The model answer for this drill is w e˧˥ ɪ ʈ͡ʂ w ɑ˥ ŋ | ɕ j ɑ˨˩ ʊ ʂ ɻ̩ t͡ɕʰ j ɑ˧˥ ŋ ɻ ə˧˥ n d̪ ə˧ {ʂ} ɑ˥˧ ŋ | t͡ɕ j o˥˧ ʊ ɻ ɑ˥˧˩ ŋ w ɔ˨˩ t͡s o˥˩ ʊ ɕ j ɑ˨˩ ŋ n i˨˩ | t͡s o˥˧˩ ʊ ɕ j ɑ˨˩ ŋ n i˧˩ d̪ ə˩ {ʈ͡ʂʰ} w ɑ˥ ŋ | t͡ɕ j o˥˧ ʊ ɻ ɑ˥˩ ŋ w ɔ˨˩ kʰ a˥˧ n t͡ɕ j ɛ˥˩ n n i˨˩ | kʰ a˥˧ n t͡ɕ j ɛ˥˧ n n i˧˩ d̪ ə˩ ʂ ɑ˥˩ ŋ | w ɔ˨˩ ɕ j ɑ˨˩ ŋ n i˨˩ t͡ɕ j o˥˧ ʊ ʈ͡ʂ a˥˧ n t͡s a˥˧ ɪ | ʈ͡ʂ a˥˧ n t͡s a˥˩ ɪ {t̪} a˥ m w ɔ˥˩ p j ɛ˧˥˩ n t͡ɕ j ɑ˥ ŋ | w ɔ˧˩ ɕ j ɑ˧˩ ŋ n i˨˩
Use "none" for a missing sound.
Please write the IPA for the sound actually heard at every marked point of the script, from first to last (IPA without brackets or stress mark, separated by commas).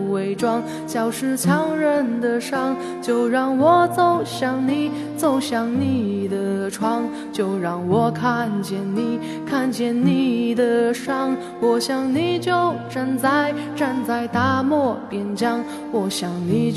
ʂ, ʈ͡ʂʰ, t̪